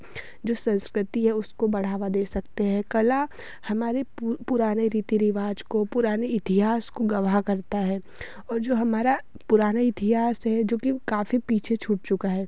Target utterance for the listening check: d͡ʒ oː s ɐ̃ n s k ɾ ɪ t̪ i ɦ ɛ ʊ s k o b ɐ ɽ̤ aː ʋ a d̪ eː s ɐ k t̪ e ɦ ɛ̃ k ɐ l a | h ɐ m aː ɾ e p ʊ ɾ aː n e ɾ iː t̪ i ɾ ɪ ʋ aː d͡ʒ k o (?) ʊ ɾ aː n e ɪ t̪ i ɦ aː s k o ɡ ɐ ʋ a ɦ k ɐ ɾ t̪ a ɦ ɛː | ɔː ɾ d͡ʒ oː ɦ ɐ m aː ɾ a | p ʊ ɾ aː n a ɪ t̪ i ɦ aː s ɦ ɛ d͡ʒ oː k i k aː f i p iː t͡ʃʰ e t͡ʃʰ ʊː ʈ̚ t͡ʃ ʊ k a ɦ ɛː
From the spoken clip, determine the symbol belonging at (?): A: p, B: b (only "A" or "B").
A